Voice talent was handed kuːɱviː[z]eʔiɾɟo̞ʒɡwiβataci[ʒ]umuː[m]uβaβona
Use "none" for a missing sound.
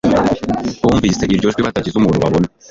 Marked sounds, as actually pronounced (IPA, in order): s, z, n

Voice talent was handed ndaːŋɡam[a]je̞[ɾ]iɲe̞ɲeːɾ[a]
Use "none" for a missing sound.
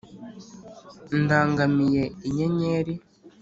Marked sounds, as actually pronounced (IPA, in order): i, none, i

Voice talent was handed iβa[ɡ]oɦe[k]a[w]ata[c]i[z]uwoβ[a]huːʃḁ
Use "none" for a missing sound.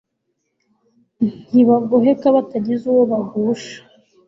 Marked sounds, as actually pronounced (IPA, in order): ɡ, k, β, ɟ, z, a

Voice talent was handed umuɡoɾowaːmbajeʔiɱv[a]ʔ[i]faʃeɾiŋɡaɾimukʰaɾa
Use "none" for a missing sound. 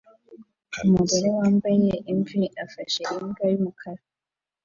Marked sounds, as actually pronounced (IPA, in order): i, a

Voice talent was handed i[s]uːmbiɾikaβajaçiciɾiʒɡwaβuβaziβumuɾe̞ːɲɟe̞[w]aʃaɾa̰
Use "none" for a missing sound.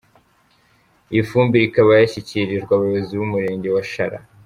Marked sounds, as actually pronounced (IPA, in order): f, w

